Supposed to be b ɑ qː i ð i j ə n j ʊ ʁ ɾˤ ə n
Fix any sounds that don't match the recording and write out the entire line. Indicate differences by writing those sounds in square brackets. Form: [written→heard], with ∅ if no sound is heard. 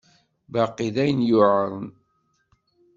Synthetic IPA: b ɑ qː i ð [i→æ] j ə n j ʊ [ʁ→ʕ] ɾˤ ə n